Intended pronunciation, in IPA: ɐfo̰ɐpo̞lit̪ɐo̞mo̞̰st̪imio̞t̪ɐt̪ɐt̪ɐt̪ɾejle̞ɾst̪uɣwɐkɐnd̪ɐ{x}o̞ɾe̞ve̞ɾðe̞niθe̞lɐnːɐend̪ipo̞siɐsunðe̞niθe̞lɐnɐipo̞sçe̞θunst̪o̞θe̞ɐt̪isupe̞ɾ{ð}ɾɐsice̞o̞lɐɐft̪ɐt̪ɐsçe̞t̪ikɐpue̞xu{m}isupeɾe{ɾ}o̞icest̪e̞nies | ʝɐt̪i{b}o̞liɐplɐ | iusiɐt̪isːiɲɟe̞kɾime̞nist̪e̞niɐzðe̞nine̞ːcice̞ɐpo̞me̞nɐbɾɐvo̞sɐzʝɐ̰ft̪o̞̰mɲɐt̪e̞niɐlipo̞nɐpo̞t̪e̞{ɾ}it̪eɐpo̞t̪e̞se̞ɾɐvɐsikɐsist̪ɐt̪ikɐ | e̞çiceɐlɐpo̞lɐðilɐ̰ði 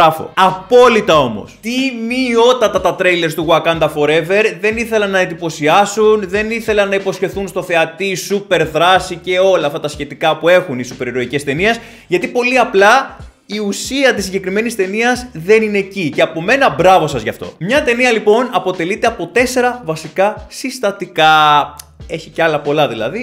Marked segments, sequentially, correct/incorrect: incorrect, correct, incorrect, correct, incorrect, incorrect

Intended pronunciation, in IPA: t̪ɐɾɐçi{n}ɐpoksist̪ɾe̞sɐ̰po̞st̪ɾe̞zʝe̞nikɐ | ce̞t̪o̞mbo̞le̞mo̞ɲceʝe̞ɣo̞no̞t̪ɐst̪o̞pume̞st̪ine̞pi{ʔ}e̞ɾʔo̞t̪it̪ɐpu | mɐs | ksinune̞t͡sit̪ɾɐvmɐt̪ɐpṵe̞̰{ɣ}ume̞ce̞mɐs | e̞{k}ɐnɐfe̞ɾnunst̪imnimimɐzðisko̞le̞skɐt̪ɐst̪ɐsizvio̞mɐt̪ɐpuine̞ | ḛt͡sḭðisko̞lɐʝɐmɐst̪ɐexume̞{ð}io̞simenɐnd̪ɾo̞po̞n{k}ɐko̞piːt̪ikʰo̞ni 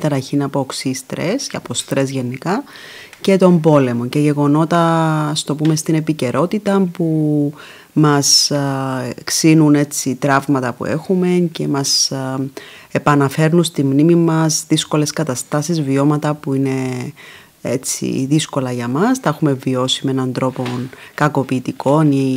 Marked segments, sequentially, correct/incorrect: correct, incorrect, incorrect, incorrect, incorrect, correct

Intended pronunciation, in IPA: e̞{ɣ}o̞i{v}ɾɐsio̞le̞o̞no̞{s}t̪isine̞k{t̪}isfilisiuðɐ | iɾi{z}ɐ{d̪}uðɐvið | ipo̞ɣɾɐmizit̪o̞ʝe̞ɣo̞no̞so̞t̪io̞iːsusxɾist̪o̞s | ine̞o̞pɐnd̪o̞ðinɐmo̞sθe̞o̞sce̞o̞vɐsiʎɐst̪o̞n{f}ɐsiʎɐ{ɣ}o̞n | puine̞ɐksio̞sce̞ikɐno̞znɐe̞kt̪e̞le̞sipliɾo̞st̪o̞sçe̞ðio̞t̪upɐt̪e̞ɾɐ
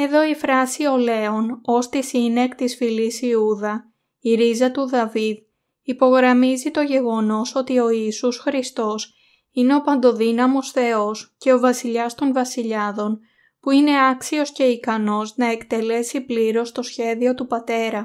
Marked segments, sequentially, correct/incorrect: incorrect, incorrect, correct, correct, correct, incorrect, incorrect, incorrect

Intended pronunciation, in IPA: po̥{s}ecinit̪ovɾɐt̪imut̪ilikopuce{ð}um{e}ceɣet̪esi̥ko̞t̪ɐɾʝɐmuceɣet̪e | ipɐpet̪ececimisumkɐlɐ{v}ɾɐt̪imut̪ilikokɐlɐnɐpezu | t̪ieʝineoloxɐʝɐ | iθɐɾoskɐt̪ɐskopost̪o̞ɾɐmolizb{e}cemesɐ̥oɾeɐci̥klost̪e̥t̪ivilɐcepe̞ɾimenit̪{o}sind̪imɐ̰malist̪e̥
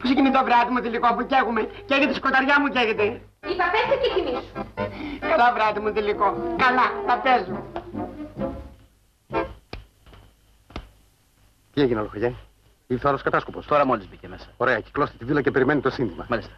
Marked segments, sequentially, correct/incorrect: correct, incorrect, correct, correct, incorrect, correct

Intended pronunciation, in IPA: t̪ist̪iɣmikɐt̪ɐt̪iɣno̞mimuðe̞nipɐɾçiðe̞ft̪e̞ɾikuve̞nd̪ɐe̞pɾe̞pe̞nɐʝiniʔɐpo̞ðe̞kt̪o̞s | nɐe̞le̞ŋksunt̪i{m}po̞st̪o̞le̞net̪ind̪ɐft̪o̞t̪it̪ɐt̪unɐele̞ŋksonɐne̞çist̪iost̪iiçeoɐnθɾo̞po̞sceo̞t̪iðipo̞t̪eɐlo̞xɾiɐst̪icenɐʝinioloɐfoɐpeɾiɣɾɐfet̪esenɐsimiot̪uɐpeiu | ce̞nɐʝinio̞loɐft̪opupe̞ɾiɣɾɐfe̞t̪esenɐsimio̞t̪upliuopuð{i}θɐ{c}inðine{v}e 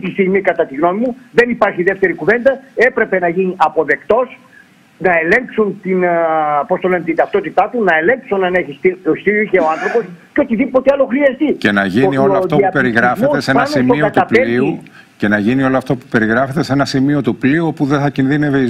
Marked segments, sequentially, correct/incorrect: incorrect, incorrect, correct, correct

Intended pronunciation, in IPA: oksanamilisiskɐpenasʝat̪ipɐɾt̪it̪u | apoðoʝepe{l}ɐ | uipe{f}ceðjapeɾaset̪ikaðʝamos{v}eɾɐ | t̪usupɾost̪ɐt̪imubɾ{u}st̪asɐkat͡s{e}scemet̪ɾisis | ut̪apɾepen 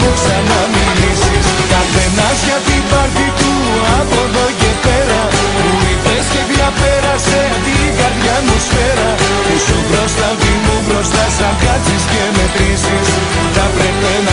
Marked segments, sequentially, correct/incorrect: incorrect, incorrect, incorrect, incorrect, incorrect

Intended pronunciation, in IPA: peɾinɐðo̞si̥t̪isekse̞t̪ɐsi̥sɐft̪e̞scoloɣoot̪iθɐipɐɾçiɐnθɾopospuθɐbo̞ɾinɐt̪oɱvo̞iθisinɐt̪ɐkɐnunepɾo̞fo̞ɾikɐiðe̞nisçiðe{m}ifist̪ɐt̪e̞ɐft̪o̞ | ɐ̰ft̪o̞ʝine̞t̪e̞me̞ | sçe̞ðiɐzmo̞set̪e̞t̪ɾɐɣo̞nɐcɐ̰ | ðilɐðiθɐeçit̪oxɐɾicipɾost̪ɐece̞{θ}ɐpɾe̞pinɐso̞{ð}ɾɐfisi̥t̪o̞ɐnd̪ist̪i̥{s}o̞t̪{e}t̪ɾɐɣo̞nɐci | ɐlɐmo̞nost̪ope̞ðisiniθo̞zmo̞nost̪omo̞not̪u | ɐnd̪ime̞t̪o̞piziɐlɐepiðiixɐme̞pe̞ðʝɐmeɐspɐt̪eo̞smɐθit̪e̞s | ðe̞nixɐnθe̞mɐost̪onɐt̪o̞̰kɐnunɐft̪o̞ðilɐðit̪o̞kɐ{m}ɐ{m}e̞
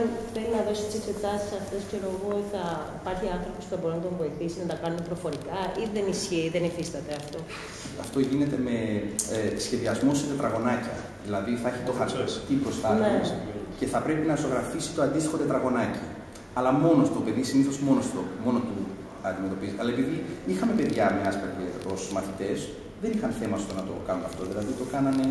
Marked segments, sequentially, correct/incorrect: incorrect, correct, incorrect, incorrect, correct, incorrect, incorrect

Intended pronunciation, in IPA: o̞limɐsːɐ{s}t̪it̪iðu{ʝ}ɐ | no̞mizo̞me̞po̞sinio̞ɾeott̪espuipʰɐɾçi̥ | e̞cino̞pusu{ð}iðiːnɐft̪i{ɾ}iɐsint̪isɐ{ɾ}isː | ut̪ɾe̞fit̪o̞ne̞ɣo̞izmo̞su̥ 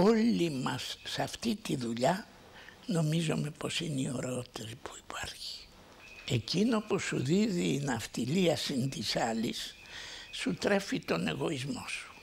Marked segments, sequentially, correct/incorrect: incorrect, incorrect, correct, incorrect, incorrect

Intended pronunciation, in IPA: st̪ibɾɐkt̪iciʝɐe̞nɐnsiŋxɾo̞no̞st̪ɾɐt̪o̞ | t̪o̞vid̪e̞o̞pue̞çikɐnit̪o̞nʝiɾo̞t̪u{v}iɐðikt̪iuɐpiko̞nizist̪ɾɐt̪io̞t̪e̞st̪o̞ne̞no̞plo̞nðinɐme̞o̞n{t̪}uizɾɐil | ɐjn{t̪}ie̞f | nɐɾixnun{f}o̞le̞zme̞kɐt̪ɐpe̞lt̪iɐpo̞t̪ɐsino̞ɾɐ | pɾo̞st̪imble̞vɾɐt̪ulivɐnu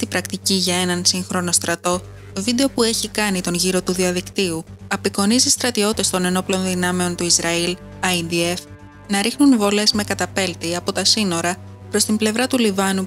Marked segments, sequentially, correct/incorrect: incorrect, correct, incorrect, incorrect

